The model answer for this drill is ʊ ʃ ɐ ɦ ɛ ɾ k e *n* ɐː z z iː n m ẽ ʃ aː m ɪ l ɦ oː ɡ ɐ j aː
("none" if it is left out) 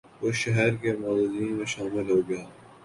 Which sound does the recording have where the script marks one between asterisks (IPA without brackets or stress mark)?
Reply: m